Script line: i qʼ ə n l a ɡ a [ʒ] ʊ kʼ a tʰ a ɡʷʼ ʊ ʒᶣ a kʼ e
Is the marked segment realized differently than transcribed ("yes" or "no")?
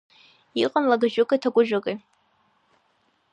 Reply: no